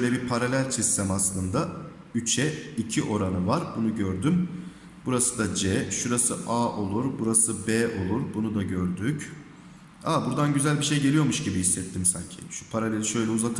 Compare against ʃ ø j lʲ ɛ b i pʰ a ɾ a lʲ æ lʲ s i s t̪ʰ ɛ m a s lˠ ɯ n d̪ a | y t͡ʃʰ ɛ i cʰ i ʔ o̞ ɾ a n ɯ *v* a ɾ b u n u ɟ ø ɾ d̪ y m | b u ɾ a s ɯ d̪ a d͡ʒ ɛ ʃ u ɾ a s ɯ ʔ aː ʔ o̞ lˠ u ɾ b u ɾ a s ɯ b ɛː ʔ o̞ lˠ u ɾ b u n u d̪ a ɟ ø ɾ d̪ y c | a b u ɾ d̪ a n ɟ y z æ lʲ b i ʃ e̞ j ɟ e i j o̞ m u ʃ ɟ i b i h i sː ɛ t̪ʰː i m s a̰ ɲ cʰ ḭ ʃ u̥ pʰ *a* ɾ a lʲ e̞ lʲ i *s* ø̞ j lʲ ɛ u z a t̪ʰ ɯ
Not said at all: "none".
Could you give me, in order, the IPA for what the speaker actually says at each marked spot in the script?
v, a, ʃ

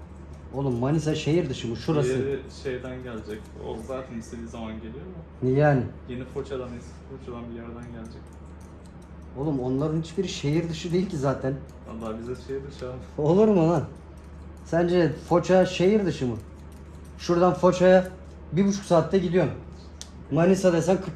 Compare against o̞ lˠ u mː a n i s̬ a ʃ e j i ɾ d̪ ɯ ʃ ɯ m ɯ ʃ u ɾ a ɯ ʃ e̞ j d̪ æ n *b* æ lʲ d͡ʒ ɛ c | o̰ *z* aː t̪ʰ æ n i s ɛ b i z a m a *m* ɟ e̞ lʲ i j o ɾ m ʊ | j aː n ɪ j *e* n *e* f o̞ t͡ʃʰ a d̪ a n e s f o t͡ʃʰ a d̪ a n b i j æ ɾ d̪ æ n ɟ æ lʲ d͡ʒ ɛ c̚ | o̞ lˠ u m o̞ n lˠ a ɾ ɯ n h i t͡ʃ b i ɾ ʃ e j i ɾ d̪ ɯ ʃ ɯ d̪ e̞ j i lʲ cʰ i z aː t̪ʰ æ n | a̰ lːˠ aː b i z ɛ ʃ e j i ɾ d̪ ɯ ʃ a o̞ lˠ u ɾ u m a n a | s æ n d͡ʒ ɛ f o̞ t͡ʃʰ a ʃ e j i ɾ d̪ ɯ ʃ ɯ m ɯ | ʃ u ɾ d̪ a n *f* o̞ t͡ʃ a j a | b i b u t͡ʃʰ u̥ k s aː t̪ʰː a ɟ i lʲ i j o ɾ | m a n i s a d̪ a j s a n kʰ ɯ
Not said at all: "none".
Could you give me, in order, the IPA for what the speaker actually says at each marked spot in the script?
ɟ, z, n, e, i, f

